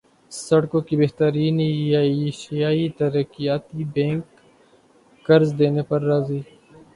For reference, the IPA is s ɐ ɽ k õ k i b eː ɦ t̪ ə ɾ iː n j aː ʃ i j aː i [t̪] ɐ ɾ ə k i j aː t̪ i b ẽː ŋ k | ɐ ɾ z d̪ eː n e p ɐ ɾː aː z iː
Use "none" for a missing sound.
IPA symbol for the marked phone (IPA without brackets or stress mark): t̪